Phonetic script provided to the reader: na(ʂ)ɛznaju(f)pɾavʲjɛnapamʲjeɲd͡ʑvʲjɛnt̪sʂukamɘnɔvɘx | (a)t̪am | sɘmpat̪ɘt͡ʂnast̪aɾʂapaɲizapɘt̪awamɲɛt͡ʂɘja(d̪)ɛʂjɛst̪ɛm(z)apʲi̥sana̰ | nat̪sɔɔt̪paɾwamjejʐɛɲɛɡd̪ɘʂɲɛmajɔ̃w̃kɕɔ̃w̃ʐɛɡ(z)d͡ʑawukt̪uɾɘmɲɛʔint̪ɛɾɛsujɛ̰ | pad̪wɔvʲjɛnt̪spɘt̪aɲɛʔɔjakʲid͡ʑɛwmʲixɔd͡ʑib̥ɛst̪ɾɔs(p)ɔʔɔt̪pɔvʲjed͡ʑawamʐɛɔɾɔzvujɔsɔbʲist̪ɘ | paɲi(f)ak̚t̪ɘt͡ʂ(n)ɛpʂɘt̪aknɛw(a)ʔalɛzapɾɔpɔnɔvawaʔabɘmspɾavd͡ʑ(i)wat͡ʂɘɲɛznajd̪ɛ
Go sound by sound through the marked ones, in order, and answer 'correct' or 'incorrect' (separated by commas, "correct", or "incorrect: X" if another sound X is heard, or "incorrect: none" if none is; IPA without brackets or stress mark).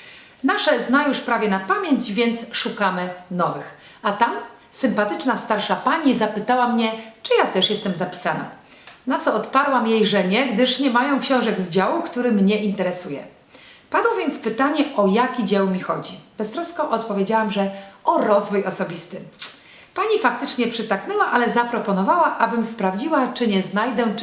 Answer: correct, incorrect: ʂ, correct, incorrect: t̪, correct, correct, incorrect: k, correct, incorrect: ɲ, correct, correct